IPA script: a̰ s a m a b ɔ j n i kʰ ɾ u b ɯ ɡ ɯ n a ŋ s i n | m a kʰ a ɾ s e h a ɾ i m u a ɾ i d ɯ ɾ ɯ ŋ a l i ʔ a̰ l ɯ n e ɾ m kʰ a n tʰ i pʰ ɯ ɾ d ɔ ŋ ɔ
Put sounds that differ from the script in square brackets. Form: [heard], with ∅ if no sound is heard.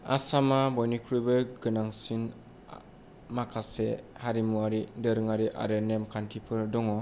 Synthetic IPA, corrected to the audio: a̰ s a m a b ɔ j n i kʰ ɾ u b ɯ ɡ ɯ n a ŋ s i n | m a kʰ a [∅] s e h a ɾ i m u a ɾ i d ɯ ɾ ɯ ŋ a [ɾ] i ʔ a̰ [ɾ] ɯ n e [∅] m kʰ a n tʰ i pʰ ɯ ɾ d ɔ ŋ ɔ